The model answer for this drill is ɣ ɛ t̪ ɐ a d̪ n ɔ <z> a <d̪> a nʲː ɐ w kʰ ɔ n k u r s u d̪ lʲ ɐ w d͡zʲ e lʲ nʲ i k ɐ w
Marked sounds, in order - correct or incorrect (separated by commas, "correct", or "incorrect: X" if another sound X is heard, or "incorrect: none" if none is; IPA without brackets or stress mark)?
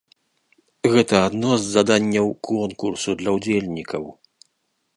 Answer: incorrect: zː, correct